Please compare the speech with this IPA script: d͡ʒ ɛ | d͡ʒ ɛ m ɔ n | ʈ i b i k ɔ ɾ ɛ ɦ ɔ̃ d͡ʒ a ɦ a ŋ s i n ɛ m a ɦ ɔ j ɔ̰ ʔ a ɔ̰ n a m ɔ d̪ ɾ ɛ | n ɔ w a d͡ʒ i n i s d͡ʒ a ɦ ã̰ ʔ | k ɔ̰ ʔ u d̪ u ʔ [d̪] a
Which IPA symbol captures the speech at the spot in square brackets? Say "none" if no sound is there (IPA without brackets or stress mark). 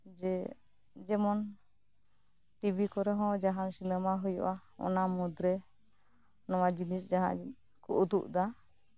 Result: d̪